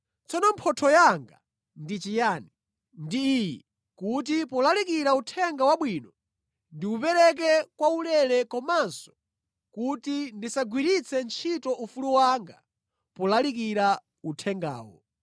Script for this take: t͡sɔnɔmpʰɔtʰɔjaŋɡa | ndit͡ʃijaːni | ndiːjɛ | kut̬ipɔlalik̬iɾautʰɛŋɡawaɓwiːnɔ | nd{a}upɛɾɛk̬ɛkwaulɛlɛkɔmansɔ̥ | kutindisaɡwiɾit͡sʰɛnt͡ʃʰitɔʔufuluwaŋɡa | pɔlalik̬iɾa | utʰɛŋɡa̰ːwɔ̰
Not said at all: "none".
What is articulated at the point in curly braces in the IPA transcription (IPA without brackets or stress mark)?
i